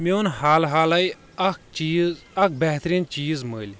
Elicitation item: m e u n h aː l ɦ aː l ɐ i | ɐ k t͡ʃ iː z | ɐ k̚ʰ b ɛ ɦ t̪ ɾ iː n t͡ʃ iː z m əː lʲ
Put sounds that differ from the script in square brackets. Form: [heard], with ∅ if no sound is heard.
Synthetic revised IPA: m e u n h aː l ɦ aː l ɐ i | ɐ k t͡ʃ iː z | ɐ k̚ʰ b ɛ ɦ t̪ ɾ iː n t͡ʃ iː z m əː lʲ